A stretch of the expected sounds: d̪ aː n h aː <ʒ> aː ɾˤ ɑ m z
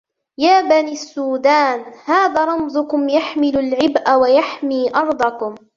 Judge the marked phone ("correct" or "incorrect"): incorrect